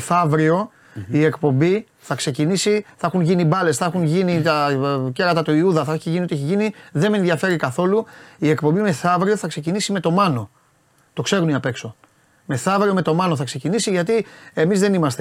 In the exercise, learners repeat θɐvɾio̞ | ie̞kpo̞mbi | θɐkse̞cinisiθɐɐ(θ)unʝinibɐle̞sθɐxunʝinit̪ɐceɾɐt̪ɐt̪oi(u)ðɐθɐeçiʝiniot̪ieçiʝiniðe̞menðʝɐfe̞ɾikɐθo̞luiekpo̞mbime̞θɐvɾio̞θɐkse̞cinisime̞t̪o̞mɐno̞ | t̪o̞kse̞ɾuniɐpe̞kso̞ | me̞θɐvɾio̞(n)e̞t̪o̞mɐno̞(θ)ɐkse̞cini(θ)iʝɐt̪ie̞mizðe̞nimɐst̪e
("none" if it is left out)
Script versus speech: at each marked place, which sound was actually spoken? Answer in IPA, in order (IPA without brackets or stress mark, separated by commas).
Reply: x, u, m, θ, s